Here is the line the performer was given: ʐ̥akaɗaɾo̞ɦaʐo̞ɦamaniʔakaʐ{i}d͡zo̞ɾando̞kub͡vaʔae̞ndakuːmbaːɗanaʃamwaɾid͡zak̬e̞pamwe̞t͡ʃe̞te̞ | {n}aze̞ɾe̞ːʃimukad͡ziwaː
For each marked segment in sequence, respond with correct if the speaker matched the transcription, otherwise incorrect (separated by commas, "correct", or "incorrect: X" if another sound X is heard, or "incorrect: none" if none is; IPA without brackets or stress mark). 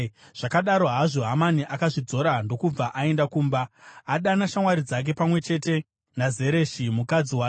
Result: correct, correct